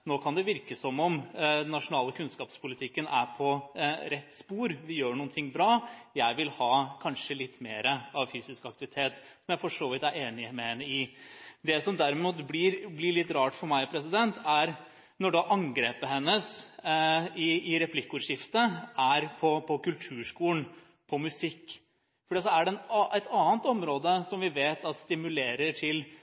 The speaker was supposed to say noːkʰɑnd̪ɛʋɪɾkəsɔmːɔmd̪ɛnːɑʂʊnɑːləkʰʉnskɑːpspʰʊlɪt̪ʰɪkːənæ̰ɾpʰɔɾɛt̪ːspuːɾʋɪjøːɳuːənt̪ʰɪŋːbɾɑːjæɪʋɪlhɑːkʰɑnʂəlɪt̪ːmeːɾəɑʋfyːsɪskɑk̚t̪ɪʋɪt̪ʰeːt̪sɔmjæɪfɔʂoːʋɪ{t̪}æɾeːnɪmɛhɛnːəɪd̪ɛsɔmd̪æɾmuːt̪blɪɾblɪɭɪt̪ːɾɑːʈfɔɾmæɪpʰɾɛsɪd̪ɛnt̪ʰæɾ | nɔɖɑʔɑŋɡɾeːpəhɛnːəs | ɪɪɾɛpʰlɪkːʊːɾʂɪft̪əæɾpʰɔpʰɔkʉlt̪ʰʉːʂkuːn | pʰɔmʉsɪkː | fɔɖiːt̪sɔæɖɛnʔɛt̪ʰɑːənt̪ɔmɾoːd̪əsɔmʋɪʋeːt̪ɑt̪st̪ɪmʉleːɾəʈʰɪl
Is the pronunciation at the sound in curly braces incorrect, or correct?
correct